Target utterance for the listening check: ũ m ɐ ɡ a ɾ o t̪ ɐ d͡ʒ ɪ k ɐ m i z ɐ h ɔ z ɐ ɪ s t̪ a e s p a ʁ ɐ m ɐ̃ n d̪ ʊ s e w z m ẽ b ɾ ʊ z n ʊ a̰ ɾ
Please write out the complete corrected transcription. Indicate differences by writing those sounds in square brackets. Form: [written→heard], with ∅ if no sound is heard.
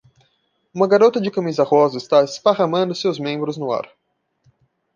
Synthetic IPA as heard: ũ m ɐ ɡ a ɾ o t̪ ɐ d͡ʒ ɪ k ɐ m i z ɐ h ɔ z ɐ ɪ s t̪ a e s p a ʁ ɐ m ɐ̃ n d̪ ʊ s e w z m ẽ b ɾ ʊ z n ʊ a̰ ɾ